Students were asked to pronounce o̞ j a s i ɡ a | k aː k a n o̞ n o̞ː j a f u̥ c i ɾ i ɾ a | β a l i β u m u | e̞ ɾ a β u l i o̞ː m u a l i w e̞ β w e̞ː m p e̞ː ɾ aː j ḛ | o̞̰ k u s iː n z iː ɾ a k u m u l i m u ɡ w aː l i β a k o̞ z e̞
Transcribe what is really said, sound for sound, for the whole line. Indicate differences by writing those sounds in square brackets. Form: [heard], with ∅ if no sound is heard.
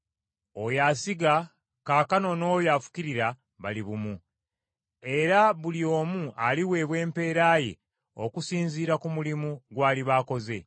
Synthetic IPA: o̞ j a s i ɡ a | k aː k a n o̞ n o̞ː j a f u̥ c i ɾ i ɾ a | β a l i β u m u | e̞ ɾ a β u l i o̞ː m u a l i w e̞ β w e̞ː m p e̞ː ɾ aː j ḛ | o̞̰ k u s iː n z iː ɾ a k u m u l i m u ɡ w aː l i β a k o̞ z e̞